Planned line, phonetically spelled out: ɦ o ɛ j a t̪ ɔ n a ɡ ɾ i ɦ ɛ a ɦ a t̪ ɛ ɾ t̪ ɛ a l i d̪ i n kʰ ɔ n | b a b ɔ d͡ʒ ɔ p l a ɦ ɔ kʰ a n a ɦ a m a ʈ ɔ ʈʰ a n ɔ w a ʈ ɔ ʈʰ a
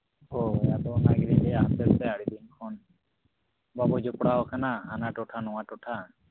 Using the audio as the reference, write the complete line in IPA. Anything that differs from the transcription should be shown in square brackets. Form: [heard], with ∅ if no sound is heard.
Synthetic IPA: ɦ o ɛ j a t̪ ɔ n a ɡ ɾ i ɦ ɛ a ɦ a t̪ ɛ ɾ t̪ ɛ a [ɽ] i d̪ i n kʰ ɔ n | b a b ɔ d͡ʒ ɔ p [ɽ] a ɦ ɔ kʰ a n a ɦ a [n] a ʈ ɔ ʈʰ a n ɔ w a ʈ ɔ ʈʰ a